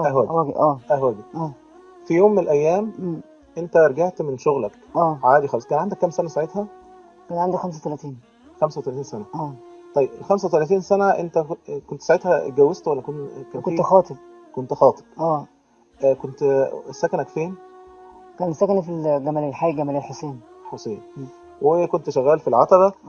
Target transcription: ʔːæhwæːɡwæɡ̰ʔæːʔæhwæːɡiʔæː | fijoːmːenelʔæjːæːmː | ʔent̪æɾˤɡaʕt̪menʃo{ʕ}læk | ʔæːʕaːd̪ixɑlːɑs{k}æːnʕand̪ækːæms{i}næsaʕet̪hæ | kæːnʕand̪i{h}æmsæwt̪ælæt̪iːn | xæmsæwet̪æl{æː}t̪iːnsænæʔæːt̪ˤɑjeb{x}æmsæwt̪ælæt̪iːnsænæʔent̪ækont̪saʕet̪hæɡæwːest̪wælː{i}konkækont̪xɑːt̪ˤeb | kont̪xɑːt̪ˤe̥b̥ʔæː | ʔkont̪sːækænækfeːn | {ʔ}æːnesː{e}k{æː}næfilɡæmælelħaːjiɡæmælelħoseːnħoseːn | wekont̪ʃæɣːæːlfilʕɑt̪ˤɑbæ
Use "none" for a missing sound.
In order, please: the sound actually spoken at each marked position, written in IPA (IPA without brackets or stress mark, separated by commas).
ɣ, k, æ, x, æ, x, æ, k, æ, æ